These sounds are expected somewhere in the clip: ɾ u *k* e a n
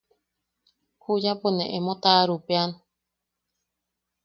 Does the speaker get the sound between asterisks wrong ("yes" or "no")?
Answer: yes